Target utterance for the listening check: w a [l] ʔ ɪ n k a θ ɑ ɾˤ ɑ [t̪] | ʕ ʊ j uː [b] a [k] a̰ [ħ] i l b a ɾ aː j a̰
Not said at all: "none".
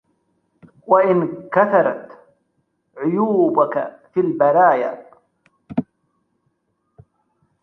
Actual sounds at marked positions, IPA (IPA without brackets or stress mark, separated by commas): none, t̪, b, k, f